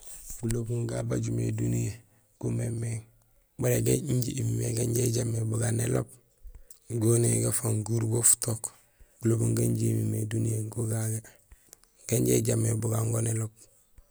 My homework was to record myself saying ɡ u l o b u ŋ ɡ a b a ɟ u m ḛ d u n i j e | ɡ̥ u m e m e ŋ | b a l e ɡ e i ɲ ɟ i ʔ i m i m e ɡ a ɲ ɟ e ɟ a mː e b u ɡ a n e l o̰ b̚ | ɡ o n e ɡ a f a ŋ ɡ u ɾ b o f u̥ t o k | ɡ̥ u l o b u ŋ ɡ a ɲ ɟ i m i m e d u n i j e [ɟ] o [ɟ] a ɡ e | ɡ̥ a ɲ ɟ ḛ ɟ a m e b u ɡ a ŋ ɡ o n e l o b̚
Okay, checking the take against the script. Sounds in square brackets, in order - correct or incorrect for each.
incorrect, incorrect

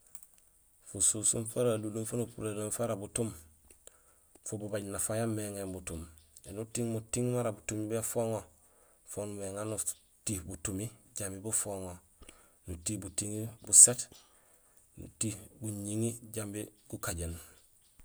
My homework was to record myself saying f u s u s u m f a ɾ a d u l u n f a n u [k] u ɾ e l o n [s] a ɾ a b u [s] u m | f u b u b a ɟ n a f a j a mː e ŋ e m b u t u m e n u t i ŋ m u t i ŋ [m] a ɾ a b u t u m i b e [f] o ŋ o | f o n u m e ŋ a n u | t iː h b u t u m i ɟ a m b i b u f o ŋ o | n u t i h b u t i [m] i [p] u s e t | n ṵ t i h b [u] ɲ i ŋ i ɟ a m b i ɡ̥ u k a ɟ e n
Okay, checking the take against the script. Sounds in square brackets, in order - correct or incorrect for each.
incorrect, incorrect, incorrect, correct, correct, incorrect, incorrect, correct

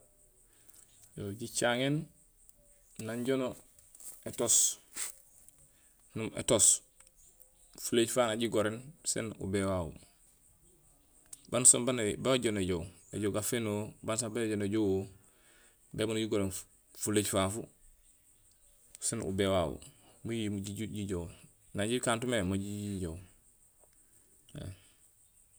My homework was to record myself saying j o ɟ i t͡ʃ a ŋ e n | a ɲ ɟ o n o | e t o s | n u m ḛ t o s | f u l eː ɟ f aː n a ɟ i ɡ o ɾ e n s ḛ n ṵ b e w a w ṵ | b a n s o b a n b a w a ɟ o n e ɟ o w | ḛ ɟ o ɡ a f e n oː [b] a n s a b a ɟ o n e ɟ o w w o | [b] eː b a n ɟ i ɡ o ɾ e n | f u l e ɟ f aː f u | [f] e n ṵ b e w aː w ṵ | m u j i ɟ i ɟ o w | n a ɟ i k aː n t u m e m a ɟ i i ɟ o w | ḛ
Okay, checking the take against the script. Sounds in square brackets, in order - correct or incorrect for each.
correct, correct, incorrect

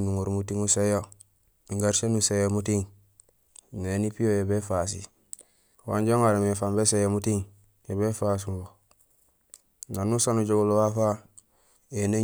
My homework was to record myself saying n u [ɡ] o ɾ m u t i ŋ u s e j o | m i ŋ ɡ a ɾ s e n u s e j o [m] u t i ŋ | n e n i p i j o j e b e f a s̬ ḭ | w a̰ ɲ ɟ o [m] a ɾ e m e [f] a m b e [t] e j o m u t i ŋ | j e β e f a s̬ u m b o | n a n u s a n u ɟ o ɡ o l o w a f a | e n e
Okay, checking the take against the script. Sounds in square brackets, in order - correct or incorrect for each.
incorrect, correct, incorrect, correct, incorrect

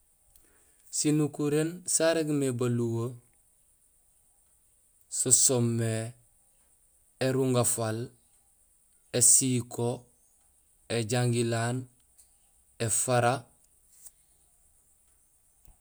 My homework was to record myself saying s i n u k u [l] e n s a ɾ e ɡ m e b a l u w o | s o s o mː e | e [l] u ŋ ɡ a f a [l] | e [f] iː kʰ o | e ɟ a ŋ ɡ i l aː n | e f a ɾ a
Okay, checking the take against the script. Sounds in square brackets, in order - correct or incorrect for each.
incorrect, incorrect, correct, incorrect

